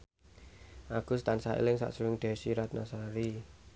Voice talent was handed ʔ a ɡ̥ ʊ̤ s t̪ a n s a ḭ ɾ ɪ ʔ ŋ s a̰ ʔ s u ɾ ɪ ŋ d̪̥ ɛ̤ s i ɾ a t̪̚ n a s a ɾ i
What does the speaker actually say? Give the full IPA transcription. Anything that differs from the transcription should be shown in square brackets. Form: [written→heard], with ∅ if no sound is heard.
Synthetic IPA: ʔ a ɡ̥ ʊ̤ s t̪ a n s a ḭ [ɾ→l] ɪ [ʔ→∅] ŋ s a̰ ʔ s u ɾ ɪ ŋ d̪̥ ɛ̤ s i ɾ a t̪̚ n a s a ɾ i